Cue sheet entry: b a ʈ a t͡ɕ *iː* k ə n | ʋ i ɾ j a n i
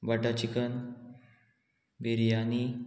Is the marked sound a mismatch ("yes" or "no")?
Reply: yes